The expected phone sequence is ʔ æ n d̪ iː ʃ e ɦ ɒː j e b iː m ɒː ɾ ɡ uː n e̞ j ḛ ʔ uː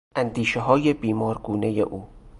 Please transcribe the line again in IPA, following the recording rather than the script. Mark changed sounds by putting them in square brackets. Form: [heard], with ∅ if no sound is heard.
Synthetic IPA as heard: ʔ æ n d̪ iː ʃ e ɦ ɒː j e b iː m ɒː ɾ ɡ uː n e̞ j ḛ ʔ uː